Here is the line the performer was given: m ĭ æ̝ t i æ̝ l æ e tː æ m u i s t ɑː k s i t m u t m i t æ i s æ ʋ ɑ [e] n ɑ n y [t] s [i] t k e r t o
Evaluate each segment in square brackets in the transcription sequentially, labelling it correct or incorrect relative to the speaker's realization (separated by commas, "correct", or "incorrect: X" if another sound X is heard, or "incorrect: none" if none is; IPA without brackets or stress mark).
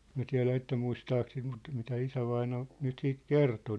incorrect: i, correct, incorrect: iː